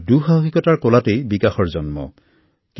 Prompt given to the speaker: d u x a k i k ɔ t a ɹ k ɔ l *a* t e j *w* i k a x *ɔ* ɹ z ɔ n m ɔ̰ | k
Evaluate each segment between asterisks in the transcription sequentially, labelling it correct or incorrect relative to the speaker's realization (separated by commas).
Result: correct, incorrect, correct